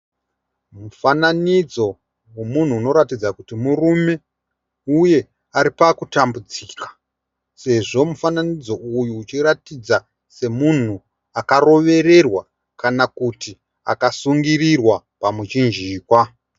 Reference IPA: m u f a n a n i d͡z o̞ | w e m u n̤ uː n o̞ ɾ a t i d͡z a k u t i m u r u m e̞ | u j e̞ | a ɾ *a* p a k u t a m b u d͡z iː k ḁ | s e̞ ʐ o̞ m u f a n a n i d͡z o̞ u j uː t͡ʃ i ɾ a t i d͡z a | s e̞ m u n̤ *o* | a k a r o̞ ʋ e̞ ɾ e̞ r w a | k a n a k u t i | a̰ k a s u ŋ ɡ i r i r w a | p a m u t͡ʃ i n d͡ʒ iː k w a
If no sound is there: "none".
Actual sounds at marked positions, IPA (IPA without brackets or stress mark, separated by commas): i, u